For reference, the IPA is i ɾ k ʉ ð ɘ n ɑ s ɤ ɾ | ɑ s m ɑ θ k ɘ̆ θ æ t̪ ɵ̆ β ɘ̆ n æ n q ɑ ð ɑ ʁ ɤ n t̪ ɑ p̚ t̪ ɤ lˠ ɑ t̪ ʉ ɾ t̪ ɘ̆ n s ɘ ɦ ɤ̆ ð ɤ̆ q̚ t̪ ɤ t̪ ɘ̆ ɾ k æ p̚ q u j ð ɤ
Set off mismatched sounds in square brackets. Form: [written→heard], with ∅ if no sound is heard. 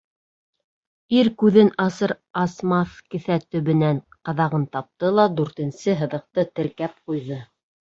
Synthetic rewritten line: i ɾ k ʉ ð ɘ n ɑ s ɤ ɾ | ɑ s m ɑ θ k ɘ̆ θ æ t̪ ɵ̆ β ɘ̆ n æ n q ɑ ð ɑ ʁ ɤ n t̪ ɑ p̚ t̪ ɤ lˠ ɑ [t̪→d̪] ʉ ɾ t̪ ɘ̆ n s ɘ ɦ ɤ̆ ð ɤ̆ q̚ t̪ ɤ t̪ ɘ̆ ɾ k æ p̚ q u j ð ɤ